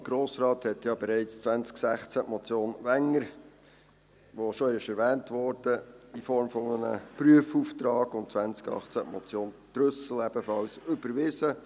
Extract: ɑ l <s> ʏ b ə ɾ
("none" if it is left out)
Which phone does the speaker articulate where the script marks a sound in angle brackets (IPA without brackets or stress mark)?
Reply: s